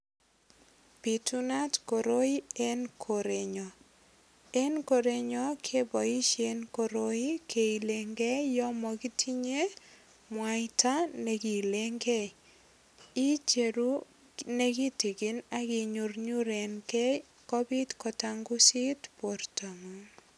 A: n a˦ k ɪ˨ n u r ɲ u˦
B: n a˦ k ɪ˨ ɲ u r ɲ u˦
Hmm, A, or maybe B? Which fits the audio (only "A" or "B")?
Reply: B